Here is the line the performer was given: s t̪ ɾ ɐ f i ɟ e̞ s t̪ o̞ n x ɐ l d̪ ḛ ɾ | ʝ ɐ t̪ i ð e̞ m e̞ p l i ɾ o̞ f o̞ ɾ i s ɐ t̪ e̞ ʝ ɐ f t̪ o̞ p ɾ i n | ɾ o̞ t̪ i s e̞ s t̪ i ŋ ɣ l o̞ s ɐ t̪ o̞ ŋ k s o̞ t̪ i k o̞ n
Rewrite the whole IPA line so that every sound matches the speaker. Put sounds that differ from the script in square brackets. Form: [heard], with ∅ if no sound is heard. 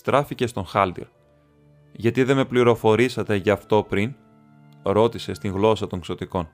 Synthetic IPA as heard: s t̪ ɾ ɐ f i [c] e̞ s t̪ o̞ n x ɐ l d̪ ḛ ɾ | ʝ ɐ t̪ i ð e̞ m e̞ p l i ɾ o̞ f o̞ ɾ i s ɐ t̪ e̞ ʝ ɐ f t̪ o̞ p ɾ i n | ɾ o̞ t̪ i s e̞ s t̪ i ŋ ɣ l o̞ s ɐ t̪ o̞ ŋ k s o̞ t̪ i k o̞ n